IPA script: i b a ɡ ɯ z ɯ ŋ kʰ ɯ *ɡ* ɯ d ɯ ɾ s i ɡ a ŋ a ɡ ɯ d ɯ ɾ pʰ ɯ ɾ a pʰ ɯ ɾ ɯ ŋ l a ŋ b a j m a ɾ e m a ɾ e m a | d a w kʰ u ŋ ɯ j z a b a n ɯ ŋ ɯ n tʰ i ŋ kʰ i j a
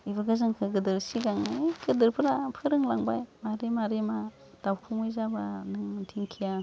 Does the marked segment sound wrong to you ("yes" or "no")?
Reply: no